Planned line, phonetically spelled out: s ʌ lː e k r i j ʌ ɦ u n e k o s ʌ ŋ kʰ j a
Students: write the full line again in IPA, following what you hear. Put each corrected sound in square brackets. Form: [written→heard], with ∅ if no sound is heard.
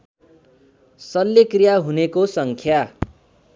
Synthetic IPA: s ʌ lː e k r i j [ʌ→a] ɦ u n e k o s ʌ ŋ kʰ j a